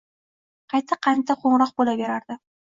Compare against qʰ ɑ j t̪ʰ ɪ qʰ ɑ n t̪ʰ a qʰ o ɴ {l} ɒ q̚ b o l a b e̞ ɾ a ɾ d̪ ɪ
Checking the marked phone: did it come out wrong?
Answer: yes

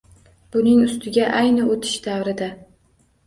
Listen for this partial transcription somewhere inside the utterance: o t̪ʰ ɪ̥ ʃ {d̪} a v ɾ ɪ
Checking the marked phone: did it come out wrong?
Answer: no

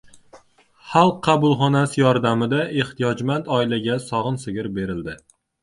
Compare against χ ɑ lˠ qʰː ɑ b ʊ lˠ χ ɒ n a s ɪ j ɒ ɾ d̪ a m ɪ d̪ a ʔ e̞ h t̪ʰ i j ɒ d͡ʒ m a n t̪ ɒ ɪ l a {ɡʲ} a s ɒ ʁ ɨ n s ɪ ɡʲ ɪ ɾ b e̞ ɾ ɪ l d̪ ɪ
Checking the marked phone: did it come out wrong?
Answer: no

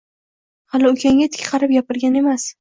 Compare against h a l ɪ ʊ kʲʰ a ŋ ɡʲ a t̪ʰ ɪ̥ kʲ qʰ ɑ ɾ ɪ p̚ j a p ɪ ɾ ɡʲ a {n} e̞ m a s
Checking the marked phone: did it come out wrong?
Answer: no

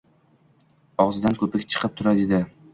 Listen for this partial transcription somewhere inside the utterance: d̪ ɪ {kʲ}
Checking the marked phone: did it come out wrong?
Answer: yes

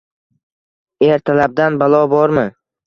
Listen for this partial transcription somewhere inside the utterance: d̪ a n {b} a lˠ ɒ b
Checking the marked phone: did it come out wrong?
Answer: no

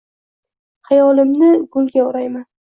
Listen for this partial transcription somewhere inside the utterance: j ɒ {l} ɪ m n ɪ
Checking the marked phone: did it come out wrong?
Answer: no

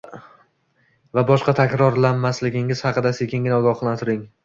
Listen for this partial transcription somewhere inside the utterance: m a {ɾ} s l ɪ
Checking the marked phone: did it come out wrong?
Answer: yes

